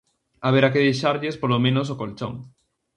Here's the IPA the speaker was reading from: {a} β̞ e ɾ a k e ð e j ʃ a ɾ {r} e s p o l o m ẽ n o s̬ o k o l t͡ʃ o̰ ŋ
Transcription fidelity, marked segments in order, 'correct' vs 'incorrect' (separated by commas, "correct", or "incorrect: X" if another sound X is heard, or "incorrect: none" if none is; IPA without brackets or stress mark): correct, incorrect: ʎ